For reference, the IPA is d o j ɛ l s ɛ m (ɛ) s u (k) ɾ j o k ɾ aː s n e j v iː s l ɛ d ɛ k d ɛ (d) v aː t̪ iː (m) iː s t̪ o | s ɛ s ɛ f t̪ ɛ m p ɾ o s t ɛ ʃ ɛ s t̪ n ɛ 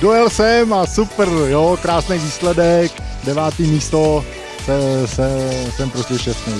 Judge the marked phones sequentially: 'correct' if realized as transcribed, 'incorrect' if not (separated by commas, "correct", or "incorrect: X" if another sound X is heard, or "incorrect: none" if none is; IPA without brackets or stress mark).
incorrect: a, incorrect: p, incorrect: none, correct